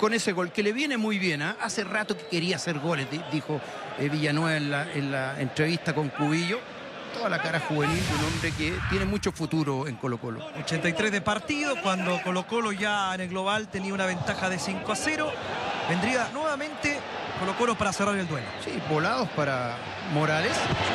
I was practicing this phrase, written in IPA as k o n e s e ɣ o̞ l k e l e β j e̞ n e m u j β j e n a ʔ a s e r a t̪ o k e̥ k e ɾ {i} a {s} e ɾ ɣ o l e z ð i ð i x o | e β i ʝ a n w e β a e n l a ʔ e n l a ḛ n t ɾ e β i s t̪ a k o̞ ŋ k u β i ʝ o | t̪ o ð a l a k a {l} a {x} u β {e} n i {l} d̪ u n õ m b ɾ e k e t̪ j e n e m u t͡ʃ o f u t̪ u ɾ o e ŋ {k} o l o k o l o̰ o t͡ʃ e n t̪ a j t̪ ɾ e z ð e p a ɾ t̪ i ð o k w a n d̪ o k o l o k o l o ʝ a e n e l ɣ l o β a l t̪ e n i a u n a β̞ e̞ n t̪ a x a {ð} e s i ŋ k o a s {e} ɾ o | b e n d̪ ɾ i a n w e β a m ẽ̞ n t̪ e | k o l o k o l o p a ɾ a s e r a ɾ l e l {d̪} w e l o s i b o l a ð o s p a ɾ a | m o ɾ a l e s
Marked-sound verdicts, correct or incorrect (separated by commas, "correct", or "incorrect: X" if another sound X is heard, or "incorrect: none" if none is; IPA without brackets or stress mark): correct, correct, incorrect: ɾ, correct, correct, correct, correct, correct, correct, correct